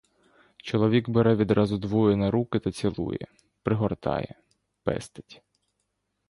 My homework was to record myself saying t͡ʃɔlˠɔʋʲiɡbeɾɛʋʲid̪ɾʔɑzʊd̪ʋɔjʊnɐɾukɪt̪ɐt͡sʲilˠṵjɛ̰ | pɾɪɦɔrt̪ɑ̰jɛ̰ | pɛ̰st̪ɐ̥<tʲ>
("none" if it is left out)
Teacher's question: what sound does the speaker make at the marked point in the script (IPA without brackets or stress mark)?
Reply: tʲ